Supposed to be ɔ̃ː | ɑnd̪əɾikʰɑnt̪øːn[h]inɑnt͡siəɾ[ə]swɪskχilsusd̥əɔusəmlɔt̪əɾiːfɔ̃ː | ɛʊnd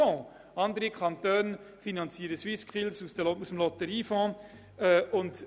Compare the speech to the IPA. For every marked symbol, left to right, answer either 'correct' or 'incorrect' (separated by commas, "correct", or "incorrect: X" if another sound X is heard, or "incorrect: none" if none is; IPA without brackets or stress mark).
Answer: incorrect: f, correct